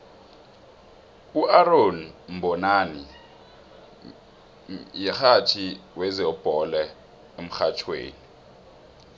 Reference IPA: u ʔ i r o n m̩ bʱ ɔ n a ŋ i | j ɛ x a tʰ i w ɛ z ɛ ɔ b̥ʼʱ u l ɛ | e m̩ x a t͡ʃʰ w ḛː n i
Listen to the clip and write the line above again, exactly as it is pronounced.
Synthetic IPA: u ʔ a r o n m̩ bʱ ɔ n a n i | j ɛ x a tʰ i w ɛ z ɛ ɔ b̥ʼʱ ɔ l ɛ | e m̩ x a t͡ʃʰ w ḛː n i